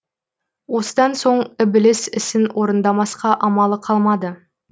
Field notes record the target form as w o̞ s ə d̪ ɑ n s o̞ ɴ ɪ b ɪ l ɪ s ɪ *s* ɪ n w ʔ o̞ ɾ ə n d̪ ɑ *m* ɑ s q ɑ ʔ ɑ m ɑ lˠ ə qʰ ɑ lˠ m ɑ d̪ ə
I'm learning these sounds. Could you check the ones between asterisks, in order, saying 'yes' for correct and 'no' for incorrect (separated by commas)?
yes, yes